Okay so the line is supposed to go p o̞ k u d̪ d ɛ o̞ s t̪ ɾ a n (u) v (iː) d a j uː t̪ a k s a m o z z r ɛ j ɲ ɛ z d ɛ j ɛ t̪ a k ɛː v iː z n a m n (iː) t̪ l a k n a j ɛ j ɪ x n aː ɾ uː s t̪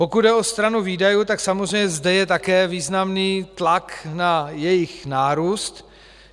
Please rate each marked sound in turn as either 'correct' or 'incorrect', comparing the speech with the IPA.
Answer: correct, correct, correct

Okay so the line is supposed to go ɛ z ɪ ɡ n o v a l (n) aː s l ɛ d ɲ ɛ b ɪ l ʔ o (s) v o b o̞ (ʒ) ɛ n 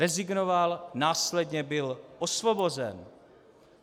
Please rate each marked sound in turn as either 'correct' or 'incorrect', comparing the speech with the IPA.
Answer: correct, correct, incorrect

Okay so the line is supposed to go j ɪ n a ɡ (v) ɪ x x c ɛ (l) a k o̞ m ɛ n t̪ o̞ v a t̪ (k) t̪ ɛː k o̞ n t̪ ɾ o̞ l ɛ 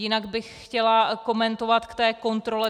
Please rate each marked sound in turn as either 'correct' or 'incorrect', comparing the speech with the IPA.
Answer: incorrect, correct, correct

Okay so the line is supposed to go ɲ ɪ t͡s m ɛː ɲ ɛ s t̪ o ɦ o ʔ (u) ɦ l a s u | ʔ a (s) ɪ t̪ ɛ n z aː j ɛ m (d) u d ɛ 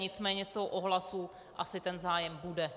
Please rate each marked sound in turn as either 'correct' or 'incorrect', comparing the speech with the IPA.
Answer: incorrect, correct, incorrect

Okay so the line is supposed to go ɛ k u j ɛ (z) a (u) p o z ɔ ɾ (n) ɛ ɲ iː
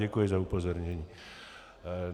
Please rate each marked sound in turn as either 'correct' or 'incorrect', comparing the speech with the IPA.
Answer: correct, correct, incorrect

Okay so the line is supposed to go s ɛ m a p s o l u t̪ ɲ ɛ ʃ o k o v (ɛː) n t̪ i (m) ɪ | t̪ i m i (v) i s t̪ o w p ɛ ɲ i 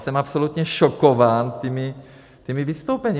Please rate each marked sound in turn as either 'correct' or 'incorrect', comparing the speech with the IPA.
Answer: incorrect, correct, correct

